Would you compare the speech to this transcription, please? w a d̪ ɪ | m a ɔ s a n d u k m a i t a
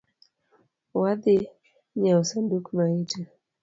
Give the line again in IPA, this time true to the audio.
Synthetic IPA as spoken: w a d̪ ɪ | ɲ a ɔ s a n d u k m a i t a